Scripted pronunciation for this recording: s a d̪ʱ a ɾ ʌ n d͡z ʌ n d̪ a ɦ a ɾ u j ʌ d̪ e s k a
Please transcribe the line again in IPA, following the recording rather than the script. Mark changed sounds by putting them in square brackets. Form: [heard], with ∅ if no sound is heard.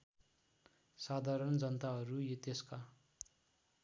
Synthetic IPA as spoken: s a d̪ʱ a ɾ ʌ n d͡z ʌ n [t̪] a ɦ [ʌ] ɾ u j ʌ [t̪] e s k a